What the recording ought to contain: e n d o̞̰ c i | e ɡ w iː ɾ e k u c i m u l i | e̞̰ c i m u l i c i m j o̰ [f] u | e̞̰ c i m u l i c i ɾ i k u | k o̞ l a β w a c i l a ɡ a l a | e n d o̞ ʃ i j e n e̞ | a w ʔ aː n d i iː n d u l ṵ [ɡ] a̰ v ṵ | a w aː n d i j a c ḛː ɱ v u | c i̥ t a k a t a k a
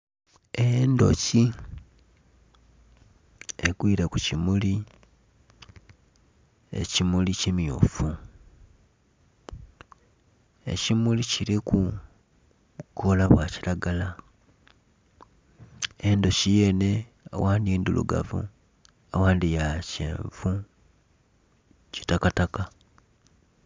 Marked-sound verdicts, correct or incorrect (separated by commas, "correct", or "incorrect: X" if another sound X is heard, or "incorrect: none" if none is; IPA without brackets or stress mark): correct, correct